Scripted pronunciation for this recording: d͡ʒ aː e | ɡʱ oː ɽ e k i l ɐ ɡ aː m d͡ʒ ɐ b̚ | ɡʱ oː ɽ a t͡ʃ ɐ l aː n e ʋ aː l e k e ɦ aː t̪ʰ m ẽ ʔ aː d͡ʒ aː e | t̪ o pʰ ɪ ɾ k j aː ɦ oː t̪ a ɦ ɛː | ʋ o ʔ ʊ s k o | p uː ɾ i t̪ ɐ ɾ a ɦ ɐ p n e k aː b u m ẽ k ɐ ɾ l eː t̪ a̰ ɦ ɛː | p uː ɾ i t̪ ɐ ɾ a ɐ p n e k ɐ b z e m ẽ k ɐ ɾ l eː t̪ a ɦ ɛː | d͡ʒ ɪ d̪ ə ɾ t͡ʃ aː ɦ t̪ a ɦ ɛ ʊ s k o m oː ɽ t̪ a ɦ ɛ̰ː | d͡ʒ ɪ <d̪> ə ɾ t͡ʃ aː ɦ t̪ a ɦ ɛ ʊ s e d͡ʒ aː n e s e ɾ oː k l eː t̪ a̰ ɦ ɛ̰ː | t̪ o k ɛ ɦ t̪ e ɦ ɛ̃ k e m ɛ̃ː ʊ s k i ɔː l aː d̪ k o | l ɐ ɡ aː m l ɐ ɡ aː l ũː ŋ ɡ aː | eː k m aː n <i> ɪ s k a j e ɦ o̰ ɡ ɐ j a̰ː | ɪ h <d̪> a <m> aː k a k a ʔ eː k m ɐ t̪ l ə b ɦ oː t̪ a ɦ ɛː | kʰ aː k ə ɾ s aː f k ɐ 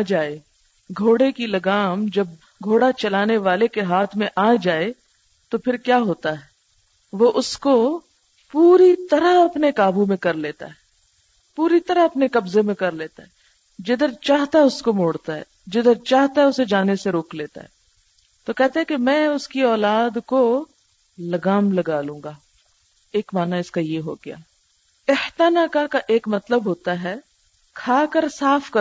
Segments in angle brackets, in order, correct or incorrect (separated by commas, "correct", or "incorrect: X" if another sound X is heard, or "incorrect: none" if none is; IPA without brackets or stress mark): correct, incorrect: a, incorrect: t̪, incorrect: n